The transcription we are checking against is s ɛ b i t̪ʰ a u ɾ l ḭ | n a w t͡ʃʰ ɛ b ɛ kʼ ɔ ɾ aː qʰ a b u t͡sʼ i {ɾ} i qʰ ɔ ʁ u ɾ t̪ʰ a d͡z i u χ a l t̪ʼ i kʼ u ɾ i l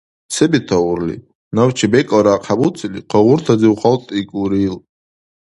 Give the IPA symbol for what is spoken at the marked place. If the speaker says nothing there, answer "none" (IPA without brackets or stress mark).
l